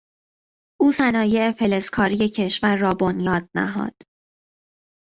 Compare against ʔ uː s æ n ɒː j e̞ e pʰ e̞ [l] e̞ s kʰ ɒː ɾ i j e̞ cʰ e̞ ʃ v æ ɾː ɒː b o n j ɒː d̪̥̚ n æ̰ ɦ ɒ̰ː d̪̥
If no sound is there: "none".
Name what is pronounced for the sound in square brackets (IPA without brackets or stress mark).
l